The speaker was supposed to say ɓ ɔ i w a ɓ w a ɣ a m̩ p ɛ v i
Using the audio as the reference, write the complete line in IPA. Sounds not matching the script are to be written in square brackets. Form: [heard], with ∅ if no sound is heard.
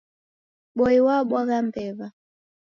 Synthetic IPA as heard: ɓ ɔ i w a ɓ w a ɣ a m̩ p ɛ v [a]